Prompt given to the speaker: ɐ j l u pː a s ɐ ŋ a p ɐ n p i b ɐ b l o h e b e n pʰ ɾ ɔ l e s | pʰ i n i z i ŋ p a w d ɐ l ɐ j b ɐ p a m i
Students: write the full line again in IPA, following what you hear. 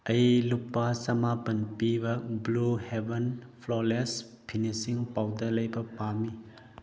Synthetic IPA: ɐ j l u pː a s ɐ m a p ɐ n p i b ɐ b l u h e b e n pʰ l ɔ l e s | pʰ i n i s i ŋ p a w d ɐ l ɐ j b ɐ p a m i

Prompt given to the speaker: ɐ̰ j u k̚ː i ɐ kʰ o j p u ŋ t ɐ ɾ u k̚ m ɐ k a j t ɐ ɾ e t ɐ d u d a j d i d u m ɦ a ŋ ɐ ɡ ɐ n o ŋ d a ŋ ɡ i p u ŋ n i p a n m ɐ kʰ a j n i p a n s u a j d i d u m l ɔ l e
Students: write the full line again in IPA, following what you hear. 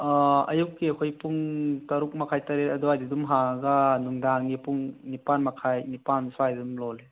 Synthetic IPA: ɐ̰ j u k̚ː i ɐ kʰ o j p u ŋ t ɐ ɾ u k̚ m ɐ kʰ a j t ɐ ɾ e t ɐ d u a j d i d u m ɦ a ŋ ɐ ɡ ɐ n u ŋ d a ŋ ɡ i p u ŋ n i p a n m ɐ kʰ a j n i p a n s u a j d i d u m l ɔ l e

